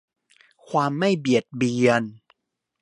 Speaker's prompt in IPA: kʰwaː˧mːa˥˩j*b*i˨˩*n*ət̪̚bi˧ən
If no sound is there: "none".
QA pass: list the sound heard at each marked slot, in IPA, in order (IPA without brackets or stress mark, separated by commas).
b, none